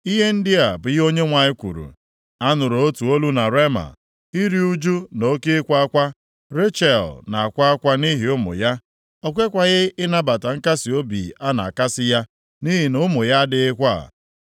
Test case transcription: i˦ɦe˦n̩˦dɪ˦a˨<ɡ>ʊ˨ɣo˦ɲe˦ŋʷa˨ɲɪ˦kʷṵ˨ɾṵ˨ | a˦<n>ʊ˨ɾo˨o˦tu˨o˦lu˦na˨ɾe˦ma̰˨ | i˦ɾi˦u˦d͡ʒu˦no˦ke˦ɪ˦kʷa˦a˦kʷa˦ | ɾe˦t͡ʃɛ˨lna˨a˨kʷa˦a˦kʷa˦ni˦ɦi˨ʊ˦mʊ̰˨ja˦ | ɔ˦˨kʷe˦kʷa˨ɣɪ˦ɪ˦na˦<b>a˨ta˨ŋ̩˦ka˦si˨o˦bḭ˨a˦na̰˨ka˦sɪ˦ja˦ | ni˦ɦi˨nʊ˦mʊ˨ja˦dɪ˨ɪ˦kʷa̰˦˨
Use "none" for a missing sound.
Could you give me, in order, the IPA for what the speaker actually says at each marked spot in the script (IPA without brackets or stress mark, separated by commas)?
b, n, b